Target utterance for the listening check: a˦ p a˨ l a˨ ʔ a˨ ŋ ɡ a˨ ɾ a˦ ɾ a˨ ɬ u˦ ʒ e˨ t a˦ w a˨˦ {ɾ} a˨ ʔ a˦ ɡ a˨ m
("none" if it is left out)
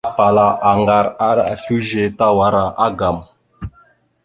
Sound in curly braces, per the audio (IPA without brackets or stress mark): ɾ